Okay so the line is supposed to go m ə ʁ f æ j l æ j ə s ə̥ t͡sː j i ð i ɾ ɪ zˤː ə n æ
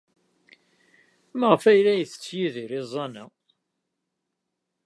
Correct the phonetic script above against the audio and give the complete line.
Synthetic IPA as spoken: m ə ʁ f æ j l æ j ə θ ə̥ t͡sː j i ð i ɾ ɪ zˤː ɑ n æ